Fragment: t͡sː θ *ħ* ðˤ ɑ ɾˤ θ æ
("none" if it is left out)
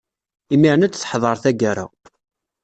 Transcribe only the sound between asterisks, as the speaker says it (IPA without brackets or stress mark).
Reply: ħ